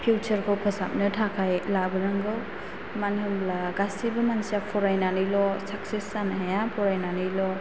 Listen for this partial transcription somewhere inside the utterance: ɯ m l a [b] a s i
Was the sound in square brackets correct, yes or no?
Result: no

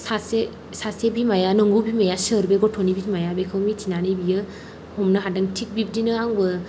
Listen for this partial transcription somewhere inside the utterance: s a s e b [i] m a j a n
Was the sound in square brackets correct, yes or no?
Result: yes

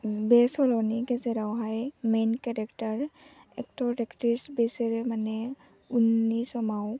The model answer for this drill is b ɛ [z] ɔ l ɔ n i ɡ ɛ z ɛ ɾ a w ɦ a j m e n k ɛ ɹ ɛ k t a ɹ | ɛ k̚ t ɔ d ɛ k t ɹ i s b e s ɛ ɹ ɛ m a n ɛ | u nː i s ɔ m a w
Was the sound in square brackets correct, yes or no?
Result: no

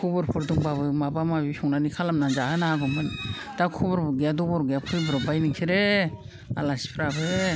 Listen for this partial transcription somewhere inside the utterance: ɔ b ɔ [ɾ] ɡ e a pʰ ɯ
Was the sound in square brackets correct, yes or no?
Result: yes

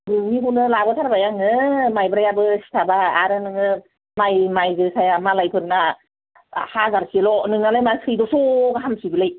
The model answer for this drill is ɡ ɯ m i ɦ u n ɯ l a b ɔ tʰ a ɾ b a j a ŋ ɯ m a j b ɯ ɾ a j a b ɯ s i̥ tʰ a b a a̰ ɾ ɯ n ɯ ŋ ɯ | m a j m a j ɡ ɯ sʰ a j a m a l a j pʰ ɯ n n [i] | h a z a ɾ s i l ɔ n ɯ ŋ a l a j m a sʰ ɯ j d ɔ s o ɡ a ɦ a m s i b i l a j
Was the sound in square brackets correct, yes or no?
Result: no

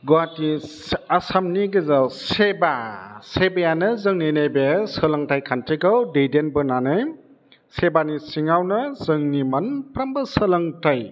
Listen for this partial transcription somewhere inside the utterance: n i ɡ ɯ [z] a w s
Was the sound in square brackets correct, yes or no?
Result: yes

